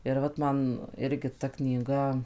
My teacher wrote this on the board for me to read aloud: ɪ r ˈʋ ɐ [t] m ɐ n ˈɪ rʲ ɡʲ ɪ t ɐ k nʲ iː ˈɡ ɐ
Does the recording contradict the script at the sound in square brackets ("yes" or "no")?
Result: no